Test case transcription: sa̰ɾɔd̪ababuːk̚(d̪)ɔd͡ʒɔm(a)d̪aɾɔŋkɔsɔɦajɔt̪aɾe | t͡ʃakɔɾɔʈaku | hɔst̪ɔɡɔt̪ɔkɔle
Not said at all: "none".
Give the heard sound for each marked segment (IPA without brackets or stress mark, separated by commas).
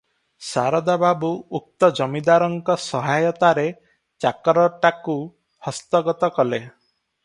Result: t̪, i